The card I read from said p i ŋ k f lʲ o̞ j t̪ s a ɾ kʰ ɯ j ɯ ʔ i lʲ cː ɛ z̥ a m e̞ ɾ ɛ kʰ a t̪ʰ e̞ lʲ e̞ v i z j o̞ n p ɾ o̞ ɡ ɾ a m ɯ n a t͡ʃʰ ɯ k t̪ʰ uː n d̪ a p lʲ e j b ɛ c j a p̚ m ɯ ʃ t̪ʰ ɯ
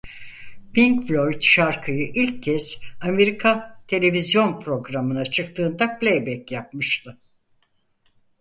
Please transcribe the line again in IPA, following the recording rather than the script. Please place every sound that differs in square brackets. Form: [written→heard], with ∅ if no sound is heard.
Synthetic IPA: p i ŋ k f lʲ o̞ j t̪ [s→ʃ] a ɾ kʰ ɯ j ɯ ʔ i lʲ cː ɛ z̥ a m e̞ ɾ [ɛ→i] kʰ a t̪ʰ e̞ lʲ e̞ v i z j o̞ n p ɾ o̞ ɡ ɾ a m ɯ n a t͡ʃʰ ɯ k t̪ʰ [uː→ɯː] n d̪ a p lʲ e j b ɛ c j a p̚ m ɯ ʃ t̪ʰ ɯ